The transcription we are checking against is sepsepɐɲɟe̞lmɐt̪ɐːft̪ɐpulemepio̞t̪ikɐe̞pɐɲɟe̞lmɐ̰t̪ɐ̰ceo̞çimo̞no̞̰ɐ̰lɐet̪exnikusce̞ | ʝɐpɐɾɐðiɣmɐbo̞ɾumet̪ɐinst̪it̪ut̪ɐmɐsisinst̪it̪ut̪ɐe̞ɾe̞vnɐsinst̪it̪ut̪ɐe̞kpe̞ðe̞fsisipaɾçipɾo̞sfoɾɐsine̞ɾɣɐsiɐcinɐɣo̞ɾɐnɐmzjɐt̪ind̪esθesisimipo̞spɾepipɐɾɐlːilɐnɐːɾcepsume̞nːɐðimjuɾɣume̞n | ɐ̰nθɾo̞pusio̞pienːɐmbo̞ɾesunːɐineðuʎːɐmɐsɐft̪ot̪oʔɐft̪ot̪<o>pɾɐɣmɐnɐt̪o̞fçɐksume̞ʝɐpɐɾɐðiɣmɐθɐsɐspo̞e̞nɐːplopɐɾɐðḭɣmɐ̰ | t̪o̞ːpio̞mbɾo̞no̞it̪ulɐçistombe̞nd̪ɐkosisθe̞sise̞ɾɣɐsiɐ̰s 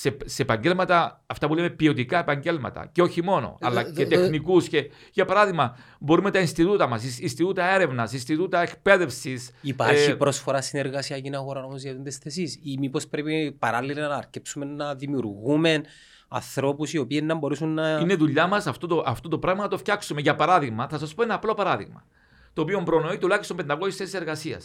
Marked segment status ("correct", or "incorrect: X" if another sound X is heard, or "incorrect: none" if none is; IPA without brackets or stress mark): correct